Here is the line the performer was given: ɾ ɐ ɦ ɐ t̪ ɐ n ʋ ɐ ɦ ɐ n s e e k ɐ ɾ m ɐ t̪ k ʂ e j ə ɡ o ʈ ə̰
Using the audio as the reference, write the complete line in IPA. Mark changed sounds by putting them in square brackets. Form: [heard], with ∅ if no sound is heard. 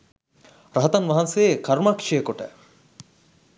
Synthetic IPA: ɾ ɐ ɦ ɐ t̪ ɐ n ʋ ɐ ɦ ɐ n s e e k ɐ ɾ m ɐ [∅] k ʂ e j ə [k] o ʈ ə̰

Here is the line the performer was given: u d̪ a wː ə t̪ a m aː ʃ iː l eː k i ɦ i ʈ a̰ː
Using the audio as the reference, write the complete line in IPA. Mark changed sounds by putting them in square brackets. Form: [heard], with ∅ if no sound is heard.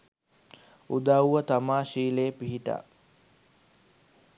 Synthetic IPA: u d̪ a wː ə t̪ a m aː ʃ iː l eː [p] i ɦ i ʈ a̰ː

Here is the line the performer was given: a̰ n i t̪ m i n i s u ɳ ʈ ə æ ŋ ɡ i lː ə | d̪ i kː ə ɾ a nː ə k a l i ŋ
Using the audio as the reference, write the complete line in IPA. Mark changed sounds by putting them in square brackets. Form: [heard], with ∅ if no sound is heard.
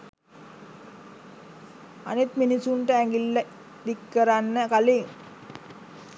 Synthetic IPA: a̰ n i t̪ m i n i s u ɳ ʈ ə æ ŋ ɡ i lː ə | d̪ i kː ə ɾ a nː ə k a l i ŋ

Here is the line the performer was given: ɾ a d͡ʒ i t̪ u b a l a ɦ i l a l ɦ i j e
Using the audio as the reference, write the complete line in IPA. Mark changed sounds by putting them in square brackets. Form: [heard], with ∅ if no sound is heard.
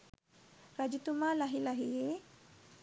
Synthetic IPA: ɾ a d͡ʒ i t̪ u [m] a l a ɦ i l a [∅] ɦ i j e

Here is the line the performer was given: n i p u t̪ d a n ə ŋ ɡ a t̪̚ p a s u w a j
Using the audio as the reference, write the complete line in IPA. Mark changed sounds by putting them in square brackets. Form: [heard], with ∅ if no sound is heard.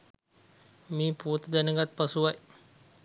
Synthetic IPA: [m] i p u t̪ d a n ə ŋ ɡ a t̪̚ p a s u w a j

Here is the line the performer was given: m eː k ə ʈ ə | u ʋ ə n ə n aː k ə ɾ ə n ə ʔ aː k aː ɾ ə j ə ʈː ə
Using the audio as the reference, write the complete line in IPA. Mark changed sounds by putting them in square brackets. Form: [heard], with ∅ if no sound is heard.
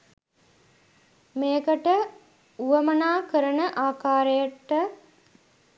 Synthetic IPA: m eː k ə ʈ ə | u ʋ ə [m] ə n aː k ə ɾ ə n ə ʔ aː k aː ɾ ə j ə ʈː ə

